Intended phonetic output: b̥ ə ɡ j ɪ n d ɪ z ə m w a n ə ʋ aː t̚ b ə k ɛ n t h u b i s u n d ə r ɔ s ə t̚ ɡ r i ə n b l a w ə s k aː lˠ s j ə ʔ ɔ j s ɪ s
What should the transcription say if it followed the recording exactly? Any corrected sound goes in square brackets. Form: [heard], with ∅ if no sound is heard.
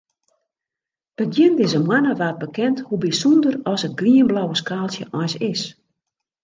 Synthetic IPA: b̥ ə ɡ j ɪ n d ɪ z ə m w a n ə ʋ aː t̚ b ə k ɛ n t h u b i s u n d ə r ɔ s ə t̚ ɡ r i ə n b l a w ə s k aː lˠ s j ə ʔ ɔ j s ɪ s